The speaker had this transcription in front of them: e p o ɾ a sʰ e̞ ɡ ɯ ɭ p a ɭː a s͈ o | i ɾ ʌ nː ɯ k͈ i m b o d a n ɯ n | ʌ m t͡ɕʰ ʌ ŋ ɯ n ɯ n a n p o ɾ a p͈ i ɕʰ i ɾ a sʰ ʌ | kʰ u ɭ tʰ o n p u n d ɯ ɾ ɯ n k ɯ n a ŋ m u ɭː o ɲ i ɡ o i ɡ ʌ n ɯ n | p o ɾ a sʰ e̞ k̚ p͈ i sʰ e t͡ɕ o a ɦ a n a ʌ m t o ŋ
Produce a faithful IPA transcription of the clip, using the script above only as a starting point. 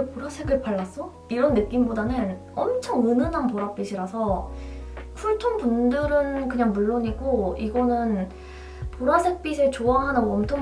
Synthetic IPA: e p o ɾ a sʰ e̞ ɡ ɯ ɭ p a ɭː a s͈ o | i ɾ ʌ nː ɯ k͈ i m b o d a n ɯ n | ʌ m t͡ɕʰ ʌ ŋ ɯ n ɯ n a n p o ɾ a p͈ i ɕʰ i ɾ a sʰ ʌ | kʰ u ɭ tʰ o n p u n d ɯ ɾ ɯ n k ɯ ɲ a ŋ m u ɭː o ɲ i ɡ o i ɡ ʌ n ɯ n | p o ɾ a sʰ e̞ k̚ p͈ i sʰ e t͡ɕ o a ɦ a n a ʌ m tʰ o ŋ

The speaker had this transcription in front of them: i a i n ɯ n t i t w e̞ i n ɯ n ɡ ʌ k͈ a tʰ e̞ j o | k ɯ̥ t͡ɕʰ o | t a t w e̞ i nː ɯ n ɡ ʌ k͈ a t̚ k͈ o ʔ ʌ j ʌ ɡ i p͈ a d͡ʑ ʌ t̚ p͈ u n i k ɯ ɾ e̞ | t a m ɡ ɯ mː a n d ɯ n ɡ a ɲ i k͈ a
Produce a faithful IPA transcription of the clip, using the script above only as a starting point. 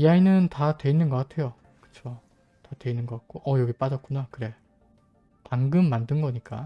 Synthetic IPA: i a i n ɯ n t a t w e̞ i nː ɯ n ɡ ʌ k͈ a tʰ e̞ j o | k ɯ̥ t͡ɕʰ o | t a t w e̞ i nː ɯ n ɡ ʌ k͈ a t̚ k͈ o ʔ ʌ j ʌ ɡ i p͈ a d͡ʑ ʌ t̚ k͈ u n a k ɯ ɾ e̞ | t a ŋ ɡ ɯ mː a n d ɯ n ɡ ʌ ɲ i k͈ a

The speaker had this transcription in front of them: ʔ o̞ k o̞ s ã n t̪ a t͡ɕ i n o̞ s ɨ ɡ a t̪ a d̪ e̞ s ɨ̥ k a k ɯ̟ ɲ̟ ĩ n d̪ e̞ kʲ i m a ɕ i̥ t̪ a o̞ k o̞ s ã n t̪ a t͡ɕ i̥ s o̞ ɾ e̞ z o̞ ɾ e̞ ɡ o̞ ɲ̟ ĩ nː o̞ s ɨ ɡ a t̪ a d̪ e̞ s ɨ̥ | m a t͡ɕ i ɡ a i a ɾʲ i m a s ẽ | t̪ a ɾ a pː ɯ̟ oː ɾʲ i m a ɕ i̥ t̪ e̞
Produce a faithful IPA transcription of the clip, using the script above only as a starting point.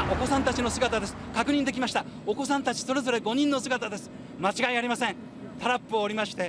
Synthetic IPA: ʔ o̞ k o̞ s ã n t̪ a t͡ɕ i n o̞ s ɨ ɡ a t̪ a d̪ e̞ s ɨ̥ k a k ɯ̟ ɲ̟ ĩ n d̪ e̞ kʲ i m a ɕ i̥ t̪ a o̞ k o̞ s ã n t̪ a t͡ɕ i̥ s o̞ ɾ e̞ z o̞ ɾ e̞ ɡ o̞ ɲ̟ ĩ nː o̞ s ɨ ɡ a t̪ a d̪ e̞ s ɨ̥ | m a t͡ɕ i ɡ a i a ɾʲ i m a s ẽ | t̪ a ɾ a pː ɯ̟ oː ɾʲ i m a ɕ i̥ t̪ e̞

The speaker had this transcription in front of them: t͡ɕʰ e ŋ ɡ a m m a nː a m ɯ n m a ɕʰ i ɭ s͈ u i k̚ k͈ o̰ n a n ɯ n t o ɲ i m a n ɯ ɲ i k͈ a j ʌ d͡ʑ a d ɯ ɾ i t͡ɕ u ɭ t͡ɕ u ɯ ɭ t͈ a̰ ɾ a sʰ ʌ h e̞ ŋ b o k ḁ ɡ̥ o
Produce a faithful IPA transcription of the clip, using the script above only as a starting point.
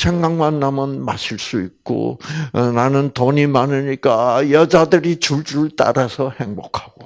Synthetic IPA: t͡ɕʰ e ŋ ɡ a ŋ m a nː a m ɯ n m a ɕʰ i ɭ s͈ u i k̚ k͈ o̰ n a n ɯ n t o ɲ i m a n ɯ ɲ i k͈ a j ʌ d͡ʑ a d ɯ ɾ i t͡ɕ u ɭ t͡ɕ u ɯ ɭ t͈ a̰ ɾ a sʰ ʌ h e̞ ŋ b o kʰ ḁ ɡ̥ o

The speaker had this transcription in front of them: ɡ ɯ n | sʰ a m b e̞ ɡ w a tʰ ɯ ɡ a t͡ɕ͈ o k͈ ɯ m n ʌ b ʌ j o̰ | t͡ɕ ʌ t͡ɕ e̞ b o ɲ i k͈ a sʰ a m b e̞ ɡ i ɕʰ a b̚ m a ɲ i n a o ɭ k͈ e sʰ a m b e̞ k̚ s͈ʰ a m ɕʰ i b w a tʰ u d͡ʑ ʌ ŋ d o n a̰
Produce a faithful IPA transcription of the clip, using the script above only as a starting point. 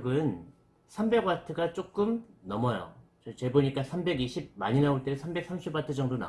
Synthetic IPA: ɡ ɯ n | sʰ a m b e̞ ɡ w a tʰ ɯ ɡ a t͡ɕ͈ o k͈ ɯ m n ʌ m ʌ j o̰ | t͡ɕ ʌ t͡ɕ e̞ b o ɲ i k͈ a sʰ a m b e̞ ɡ i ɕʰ i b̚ m a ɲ i n a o ɭ t͈ e sʰ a m b e̞ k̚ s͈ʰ a m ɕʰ i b w a tʰ ɯ d͡ʑ ʌ ŋ d o n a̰

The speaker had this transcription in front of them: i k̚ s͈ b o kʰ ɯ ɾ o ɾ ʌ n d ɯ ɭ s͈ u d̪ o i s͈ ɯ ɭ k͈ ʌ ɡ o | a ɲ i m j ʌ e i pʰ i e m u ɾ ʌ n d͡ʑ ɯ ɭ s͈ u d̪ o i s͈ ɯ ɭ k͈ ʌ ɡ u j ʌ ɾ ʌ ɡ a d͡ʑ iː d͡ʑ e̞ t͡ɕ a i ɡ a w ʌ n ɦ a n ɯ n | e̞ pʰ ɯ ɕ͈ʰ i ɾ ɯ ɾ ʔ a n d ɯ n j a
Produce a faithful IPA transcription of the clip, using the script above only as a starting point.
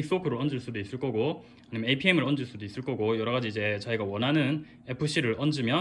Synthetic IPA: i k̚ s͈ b o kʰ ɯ ɾ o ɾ ʌ n d͡ʑ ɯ ɭ s͈ u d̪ o i s͈ ɯ ɭ k͈ ʌ ɡ o | a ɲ i m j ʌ e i pʰ i e m ɯ ɾ ʌ n d͡ʑ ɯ ɭ s͈ u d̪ o i s͈ ɯ ɭ k͈ ʌ ɡ o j ʌ ɾ ʌ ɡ a d͡ʑ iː d͡ʑ e̞ t͡ɕ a i ɡ a w ʌ n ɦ a n ɯ n | e̞ pʰ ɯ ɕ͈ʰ i ɾ ɯ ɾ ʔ ʌ n d͡ʑ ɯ m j ʌ

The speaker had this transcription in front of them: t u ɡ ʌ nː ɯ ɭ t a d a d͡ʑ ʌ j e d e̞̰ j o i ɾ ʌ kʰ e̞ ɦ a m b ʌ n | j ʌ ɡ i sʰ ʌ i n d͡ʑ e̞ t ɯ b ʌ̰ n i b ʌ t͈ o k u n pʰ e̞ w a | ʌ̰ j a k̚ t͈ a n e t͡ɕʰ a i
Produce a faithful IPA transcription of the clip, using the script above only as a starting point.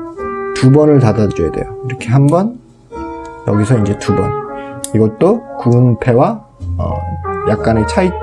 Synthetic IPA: t u b ʌ n ɯ ɭ t a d a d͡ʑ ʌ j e d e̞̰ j o i ɾ ʌ kʰ e̞ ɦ a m b ʌ n | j ʌ ɡ i sʰ ʌ i n d͡ʑ e̞ t u b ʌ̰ n i ɡ ʌ t͈ o k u n pʰ e̞ w a | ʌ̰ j a k̚ k͈ a n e t͡ɕʰ a i

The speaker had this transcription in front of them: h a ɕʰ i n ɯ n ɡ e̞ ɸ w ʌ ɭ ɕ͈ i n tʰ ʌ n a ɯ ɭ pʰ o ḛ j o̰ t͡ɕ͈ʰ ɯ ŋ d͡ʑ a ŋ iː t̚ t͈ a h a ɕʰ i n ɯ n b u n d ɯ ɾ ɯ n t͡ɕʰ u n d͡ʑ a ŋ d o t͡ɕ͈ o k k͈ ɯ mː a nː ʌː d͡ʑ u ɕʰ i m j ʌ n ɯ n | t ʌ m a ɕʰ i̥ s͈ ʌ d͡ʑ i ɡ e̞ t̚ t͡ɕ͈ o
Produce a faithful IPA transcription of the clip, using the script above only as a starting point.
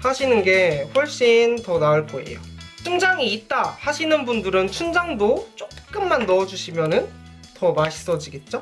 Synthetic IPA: h a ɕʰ i n ɯ n ɡ e̞ ɸ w ʌ ɭ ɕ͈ i n t ʌ n a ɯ ɭ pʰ o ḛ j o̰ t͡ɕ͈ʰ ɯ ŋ d͡ʑ a ŋ iː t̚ t͈ a h a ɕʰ i n ɯ n b u n d ɯ ɾ ɯ n t͡ɕʰ u n d͡ʑ a ŋ d o t͡ɕ͈ o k k͈ ɯ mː a nː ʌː d͡ʑ u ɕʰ i m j ʌ n ɯ n | t ʌ m a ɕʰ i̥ s͈ ʌ d͡ʑ i ɡ e̞ t̚ t͡ɕ͈ o

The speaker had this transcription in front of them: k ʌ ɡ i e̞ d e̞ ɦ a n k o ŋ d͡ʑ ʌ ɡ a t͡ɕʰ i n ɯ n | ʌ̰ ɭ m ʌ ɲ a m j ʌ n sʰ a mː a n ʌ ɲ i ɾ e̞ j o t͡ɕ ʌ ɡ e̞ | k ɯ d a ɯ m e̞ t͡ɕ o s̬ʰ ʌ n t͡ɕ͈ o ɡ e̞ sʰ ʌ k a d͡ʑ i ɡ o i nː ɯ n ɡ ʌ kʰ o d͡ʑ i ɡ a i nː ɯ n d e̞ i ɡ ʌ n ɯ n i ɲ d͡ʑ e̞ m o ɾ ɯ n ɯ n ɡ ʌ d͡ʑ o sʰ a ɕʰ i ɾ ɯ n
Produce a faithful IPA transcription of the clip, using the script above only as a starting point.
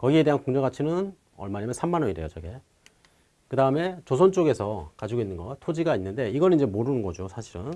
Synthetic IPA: k ʌ ɡ i e̞ d e̞ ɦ a n k o ŋ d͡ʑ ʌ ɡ a t͡ɕʰ i n ɯ n | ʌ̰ ɭ m a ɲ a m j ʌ n sʰ a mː a n ʌ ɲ i ɾ e̞ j o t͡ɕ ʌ ɡ e̞ | k ɯ d a ɯ m e̞ t͡ɕ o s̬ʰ ʌ n t͡ɕ͈ o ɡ e̞ sʰ ʌ k a d͡ʑ i ɡ o i nː ɯ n ɡ ʌ tʰ o d͡ʑ i ɡ a i nː ɯ n d e̞ i ɡ ʌ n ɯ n i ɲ d͡ʑ e̞ m o ɾ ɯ n ɯ n ɡ ʌ d͡ʑ o sʰ a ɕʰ i ɾ ɯ n

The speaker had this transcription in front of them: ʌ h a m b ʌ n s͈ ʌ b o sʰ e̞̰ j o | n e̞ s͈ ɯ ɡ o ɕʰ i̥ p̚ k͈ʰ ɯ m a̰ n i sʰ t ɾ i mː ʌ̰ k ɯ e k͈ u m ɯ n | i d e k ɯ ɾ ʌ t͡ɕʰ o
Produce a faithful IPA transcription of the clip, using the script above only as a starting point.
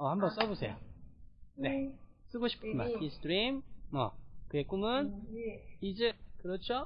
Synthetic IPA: ʌ h a m b ʌ n s͈ ʌ b o sʰ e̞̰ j o | n e̞ s͈ ɯ ɡ o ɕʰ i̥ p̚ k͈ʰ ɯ m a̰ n i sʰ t ɾ i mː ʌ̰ k ɯ e k͈ u m ɯ n | i d͡ʑ e k ɯ ɾ ʌ t͡ɕʰ o

